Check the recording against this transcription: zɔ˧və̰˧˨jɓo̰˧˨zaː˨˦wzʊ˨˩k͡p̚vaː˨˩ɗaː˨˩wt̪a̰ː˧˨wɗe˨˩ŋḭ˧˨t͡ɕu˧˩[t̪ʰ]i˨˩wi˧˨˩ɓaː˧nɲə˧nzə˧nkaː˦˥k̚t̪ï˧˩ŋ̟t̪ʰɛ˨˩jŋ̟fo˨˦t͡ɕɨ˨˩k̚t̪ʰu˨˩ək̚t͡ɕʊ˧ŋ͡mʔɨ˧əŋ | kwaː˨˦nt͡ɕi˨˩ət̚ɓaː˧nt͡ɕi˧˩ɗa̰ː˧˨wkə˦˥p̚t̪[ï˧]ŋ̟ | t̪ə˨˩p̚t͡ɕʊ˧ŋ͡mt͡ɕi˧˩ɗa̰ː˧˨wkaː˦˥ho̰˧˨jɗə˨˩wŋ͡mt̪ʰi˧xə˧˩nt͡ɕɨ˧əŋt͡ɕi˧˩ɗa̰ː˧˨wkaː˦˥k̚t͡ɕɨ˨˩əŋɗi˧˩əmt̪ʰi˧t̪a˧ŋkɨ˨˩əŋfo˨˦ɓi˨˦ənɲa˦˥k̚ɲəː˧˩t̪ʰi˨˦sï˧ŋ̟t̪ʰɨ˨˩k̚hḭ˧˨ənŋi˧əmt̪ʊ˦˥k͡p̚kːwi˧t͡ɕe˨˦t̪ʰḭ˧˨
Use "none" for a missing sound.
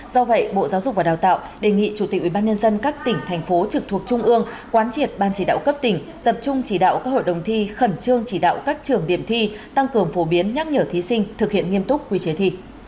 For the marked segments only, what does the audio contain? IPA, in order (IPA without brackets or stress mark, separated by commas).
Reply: t̪, ï˧˩